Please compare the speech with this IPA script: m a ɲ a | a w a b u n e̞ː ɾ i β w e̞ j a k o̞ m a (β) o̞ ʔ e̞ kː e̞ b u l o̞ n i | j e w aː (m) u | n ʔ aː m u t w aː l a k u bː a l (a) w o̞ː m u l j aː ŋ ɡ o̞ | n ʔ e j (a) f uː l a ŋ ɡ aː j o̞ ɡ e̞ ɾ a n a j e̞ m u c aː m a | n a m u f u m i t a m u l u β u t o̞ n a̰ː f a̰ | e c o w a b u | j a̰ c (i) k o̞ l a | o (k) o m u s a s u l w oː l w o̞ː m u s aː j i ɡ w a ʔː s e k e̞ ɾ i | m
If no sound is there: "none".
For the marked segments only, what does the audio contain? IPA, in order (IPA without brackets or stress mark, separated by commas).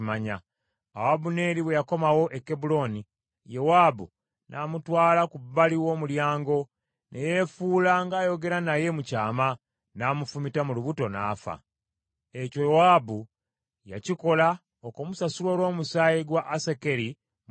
w, b, i, e, i, k